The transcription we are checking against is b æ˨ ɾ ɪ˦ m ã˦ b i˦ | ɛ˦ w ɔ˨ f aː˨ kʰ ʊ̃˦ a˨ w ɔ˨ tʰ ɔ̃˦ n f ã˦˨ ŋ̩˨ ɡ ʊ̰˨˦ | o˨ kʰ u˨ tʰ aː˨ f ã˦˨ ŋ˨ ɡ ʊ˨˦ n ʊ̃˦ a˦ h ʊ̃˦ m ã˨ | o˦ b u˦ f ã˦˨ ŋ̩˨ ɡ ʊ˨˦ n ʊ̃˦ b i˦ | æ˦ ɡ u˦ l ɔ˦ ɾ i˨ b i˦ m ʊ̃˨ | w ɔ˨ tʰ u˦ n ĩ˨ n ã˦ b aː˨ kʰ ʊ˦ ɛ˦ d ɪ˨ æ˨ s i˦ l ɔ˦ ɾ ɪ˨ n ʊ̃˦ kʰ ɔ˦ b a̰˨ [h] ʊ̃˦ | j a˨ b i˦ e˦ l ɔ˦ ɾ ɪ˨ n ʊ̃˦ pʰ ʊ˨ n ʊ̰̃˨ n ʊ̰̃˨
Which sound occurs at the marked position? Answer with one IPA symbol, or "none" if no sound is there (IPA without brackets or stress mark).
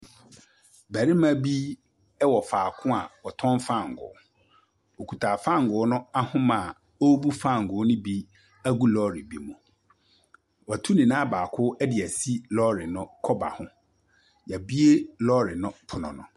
h